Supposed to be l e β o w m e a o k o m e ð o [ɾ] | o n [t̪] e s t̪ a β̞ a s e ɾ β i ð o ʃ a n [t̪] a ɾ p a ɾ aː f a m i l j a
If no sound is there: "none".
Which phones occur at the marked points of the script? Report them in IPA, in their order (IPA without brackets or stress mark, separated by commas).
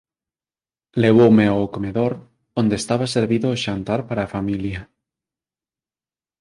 ɾ, d̪, t̪